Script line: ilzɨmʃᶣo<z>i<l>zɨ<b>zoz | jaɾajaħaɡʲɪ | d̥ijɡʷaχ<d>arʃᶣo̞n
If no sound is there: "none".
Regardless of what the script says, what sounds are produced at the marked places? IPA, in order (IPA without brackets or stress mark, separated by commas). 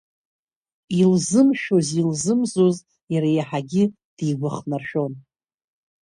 z, l, m, n